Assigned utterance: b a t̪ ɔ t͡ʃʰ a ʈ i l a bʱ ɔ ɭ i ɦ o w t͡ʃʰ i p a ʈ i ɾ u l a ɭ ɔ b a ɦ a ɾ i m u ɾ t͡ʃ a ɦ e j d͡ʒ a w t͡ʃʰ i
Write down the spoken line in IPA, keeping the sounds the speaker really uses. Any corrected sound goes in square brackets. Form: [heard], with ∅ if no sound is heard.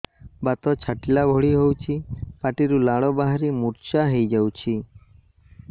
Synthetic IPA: b a t̪ ɔ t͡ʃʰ a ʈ i l a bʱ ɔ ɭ i ɦ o w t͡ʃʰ i p a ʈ i ɾ u l a ɭ ɔ b a ɦ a ɾ i m u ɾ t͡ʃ a ɦ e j d͡ʒ a w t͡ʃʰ i